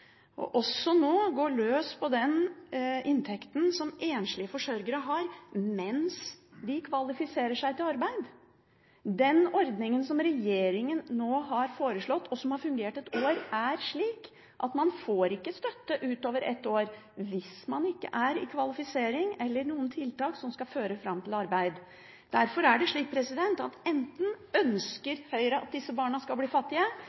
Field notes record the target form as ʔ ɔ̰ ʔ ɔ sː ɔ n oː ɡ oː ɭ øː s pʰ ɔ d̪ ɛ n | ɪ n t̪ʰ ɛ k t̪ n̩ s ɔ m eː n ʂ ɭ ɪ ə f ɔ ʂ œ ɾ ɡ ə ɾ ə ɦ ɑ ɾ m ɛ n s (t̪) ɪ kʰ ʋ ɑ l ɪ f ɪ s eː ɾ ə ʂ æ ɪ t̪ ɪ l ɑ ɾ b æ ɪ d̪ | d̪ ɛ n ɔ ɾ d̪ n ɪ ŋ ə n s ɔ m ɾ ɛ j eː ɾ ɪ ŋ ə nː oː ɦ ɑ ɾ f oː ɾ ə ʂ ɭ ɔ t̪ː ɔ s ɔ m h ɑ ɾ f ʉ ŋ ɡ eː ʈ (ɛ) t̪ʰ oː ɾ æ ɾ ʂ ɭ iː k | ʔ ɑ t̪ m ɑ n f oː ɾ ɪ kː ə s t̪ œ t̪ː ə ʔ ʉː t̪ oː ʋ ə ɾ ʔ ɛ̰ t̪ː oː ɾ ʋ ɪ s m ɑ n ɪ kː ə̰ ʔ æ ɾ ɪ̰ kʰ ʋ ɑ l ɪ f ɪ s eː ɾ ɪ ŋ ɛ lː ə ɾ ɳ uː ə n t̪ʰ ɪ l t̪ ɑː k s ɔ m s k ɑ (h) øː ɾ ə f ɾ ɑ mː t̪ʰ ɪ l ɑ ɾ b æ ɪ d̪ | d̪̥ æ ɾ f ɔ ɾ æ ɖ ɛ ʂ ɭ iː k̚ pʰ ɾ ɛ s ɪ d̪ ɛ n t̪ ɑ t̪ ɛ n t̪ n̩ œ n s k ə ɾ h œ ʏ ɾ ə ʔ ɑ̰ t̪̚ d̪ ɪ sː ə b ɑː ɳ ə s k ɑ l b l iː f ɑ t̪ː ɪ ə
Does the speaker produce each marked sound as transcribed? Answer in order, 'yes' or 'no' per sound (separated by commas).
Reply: no, yes, no